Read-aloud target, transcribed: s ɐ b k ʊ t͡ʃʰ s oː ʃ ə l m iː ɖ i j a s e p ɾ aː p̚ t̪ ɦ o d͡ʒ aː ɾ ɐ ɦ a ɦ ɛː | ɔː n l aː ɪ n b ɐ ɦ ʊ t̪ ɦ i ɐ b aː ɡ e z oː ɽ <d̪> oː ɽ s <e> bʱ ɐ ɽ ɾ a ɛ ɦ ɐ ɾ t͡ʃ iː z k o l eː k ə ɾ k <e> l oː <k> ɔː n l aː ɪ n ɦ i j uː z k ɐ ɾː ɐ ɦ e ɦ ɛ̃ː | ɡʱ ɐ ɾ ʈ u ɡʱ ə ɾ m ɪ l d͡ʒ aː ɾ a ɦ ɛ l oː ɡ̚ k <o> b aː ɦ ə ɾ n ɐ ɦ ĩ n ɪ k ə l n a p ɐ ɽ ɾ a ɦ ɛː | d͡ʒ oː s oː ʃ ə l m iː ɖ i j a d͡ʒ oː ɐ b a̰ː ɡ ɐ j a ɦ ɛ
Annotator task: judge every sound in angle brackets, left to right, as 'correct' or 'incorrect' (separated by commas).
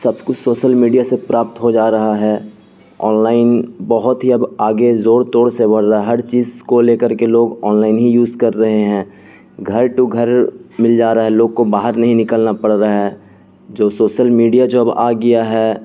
incorrect, correct, correct, incorrect, correct